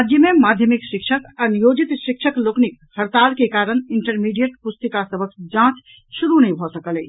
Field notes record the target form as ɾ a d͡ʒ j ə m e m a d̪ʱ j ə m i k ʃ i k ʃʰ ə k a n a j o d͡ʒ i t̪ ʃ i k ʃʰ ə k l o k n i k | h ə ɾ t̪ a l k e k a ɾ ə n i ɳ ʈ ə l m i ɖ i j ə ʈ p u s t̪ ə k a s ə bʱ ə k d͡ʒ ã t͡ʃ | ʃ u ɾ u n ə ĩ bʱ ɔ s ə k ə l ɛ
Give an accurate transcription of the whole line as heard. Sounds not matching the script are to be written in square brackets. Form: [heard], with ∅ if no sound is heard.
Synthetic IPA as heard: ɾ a d͡ʒ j ə m e m a d̪ʱ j ə m i k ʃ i k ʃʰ ə k a n [i] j o d͡ʒ i t̪ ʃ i k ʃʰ ə k l o k n i k | h ə ɾ t̪ a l k e k a ɾ ə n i ɳ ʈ ə [ɾ] m i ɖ i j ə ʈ p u s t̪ ə k a s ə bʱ ə k d͡ʒ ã t͡ʃ | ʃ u ɾ u n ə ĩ bʱ ɔ s ə k ə l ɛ